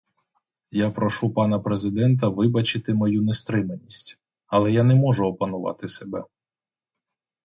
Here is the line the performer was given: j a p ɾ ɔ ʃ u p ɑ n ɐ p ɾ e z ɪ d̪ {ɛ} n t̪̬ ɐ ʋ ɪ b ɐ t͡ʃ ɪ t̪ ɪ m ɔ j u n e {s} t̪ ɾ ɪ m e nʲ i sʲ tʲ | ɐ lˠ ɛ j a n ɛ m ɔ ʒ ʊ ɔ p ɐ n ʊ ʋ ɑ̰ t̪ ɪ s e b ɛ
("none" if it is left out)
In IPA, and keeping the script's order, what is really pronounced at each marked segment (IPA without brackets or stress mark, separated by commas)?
ɛ, s